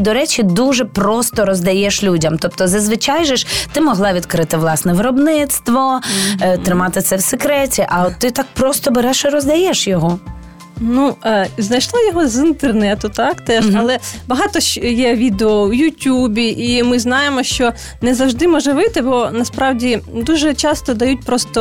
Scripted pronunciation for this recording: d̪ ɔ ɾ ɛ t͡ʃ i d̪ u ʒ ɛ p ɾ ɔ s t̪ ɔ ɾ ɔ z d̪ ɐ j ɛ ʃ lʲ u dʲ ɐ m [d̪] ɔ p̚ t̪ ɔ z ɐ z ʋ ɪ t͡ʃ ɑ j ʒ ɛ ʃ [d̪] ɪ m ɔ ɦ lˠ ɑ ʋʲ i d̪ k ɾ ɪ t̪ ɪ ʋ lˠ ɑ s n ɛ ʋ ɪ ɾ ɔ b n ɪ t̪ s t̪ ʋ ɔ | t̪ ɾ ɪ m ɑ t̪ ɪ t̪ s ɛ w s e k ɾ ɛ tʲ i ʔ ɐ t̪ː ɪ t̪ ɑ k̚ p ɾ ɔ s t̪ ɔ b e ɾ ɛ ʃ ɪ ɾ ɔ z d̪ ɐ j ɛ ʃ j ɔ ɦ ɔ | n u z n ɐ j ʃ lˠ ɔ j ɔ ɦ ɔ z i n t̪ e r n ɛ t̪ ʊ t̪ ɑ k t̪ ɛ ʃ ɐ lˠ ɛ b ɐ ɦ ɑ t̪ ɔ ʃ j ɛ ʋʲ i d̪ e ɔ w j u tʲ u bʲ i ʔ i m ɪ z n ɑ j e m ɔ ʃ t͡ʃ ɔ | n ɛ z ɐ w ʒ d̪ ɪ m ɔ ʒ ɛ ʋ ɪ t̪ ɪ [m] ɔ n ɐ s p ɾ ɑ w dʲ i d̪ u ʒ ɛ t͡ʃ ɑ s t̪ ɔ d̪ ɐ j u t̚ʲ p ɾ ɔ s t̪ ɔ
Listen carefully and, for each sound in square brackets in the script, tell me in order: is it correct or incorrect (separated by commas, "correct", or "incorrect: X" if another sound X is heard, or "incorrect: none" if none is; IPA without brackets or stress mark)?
incorrect: t̪, incorrect: t̪, incorrect: b